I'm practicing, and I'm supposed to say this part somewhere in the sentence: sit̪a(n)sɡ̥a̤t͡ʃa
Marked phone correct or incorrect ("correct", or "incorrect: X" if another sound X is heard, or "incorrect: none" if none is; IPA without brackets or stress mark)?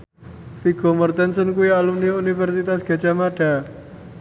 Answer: incorrect: none